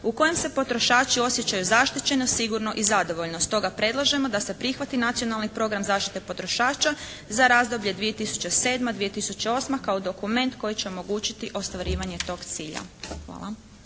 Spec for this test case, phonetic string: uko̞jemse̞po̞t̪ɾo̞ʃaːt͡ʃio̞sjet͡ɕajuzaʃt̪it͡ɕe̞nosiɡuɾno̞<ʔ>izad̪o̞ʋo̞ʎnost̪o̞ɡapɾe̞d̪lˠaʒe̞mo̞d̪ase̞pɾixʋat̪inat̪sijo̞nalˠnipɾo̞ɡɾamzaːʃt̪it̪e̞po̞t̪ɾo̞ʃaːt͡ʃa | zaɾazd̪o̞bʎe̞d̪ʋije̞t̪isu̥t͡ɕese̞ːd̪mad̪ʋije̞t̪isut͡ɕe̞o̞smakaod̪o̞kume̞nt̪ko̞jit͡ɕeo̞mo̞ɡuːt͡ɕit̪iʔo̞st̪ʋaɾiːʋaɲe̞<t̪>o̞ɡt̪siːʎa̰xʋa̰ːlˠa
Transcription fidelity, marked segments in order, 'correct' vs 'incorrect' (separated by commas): correct, correct